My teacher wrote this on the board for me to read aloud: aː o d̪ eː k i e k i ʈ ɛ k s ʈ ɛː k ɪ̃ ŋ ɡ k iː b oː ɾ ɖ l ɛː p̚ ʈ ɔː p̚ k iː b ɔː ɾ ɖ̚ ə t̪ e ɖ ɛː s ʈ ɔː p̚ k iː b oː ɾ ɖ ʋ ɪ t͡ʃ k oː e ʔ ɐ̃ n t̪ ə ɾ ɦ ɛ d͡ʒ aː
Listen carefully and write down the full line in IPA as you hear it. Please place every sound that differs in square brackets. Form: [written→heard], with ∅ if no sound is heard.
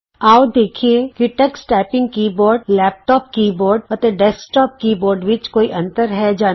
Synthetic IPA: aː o d̪ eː [k→kʰ] i e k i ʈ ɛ k s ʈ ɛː [k→p] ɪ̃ ŋ ɡ k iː b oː ɾ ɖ l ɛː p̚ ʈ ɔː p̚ k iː b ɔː ɾ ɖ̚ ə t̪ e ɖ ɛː s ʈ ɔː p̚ k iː b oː ɾ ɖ ʋ ɪ t͡ʃ k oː [e→i] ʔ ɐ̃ n t̪ ə ɾ ɦ ɛ d͡ʒ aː